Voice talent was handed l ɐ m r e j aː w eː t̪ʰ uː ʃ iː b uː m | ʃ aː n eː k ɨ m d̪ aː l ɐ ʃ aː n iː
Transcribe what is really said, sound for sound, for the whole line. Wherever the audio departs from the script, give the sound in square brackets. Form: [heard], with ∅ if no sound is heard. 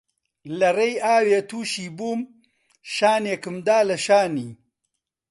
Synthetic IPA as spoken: l ɐ [∅] r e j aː w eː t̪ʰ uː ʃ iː b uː m | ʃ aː n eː k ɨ m d̪ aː l ɐ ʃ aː n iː